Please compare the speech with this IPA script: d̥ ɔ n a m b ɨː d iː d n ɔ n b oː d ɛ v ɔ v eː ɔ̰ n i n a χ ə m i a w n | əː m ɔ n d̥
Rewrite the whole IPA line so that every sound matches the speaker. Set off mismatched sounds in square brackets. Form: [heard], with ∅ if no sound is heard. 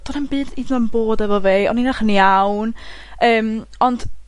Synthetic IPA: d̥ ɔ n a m b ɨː d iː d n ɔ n b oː d ɛ v ɔ v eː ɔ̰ n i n a χ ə [n] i a w n | əː m ɔ n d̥